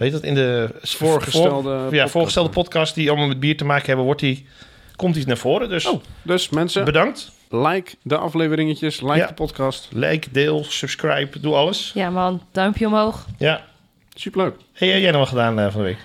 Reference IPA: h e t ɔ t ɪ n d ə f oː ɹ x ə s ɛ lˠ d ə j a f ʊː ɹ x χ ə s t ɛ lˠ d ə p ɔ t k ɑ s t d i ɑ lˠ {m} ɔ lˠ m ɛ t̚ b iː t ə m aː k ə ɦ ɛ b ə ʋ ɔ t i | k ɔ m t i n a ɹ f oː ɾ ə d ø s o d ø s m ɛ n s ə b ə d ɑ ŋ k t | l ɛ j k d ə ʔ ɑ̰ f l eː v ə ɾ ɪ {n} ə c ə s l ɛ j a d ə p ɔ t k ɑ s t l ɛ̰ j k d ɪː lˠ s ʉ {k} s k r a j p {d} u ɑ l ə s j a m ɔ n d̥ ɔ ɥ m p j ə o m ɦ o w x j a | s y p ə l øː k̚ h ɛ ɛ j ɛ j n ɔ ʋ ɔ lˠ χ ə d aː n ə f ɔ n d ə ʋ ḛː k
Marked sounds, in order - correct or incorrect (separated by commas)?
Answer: correct, incorrect, incorrect, correct